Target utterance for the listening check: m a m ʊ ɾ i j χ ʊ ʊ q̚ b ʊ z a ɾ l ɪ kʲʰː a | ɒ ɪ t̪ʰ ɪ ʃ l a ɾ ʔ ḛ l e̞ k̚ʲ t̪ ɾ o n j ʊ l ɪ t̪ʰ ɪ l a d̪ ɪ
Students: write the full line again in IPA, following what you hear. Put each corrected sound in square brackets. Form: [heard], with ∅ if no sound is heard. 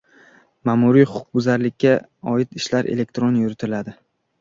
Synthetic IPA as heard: m a m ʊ ɾ i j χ ʊ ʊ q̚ b ʊ z a ɾ l ɪ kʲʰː a | ɒ ɪ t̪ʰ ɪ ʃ l a ɾ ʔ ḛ l e̞ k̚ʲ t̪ ɾ o n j ʊ [ɾ] ɪ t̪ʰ ɪ l a d̪ ɪ